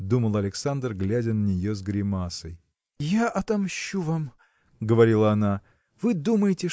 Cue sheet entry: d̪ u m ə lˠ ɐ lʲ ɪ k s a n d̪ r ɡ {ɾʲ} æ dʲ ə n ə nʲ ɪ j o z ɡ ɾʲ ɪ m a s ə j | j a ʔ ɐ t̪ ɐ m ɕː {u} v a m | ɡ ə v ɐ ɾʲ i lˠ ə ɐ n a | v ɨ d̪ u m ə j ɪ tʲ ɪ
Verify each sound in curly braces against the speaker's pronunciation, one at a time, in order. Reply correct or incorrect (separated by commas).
incorrect, correct